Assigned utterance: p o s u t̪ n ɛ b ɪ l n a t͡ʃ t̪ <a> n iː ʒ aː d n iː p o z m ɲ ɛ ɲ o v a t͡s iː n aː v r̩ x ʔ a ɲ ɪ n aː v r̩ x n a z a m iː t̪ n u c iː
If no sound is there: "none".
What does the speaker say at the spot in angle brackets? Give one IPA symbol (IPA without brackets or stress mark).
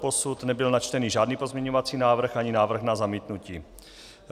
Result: ɛ